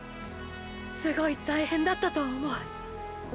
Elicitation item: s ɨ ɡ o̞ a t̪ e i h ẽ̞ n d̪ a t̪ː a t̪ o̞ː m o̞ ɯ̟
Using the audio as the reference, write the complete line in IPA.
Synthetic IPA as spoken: s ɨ ɡ o̞ i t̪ a i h ẽ̞ n d̪ a t̪ː a t̪ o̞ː m o̞ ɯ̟